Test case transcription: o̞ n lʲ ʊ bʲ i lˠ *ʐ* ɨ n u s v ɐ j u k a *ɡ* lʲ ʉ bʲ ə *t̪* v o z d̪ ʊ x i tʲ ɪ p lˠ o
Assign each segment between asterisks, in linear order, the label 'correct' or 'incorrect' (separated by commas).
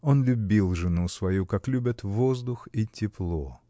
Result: correct, incorrect, correct